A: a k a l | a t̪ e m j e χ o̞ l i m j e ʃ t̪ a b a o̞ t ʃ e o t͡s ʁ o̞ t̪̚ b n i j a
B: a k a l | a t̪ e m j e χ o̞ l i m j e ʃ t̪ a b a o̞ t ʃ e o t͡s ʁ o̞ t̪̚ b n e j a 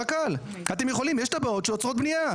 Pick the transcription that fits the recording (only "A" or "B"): A